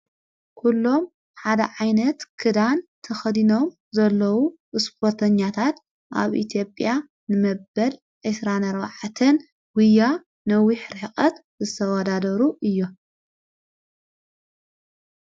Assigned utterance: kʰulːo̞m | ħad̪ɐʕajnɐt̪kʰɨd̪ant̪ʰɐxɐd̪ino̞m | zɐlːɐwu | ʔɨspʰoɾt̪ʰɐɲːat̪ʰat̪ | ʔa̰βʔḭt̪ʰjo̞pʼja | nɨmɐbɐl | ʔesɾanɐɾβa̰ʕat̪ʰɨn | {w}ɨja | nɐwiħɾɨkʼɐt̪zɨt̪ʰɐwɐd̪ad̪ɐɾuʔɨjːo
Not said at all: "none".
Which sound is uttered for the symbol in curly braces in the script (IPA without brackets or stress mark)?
w